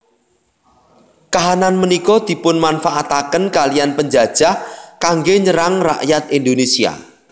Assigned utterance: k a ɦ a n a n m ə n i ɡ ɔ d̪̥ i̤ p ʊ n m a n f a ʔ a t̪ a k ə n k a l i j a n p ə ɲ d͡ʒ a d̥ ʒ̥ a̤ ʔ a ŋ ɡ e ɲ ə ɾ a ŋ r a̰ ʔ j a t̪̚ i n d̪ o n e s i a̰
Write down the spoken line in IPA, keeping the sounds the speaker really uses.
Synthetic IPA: k a ɦ a n a n m ə n i k ɔ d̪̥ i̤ p ʊ n m a n f a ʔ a t̪ a k ə n k a l i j a n p ə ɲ d͡ʒ a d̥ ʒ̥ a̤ k a ŋ ɡ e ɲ ə ɾ a ŋ r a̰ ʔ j a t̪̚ i n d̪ o n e s i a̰